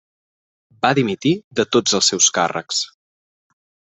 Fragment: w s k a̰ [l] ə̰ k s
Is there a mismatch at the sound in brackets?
yes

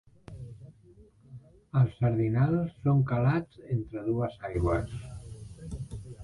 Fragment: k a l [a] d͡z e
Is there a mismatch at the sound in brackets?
no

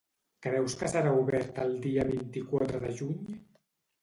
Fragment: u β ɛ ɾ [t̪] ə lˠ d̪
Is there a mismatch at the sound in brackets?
no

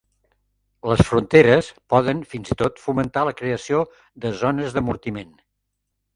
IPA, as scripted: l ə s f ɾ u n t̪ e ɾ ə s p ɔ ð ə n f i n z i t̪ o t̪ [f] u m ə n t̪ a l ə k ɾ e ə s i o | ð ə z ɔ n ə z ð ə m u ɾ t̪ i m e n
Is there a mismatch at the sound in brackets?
no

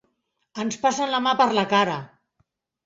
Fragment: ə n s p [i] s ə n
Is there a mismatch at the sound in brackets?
yes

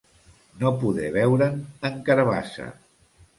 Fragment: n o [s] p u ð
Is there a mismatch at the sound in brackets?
yes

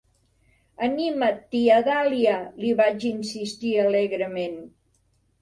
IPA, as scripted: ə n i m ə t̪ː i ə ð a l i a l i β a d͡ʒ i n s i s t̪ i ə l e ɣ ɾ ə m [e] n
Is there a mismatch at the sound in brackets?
no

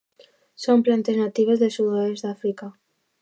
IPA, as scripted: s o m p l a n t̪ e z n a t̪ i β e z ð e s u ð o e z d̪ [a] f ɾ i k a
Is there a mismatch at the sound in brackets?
no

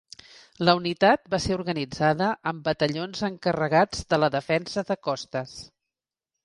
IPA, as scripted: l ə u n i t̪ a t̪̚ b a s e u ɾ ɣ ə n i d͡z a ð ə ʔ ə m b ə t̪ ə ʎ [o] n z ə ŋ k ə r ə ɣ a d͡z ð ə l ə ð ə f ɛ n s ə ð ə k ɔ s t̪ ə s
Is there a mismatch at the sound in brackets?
no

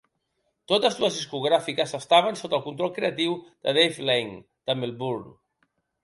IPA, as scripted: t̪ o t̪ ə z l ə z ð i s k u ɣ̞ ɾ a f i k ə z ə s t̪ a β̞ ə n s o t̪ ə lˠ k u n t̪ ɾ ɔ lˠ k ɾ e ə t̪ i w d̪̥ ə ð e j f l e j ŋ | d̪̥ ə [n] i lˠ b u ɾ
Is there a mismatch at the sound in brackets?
yes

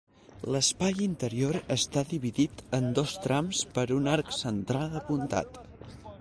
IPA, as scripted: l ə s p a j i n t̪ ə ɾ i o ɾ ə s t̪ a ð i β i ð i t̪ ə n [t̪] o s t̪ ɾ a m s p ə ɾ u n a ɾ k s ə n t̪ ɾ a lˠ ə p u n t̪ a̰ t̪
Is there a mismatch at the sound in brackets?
yes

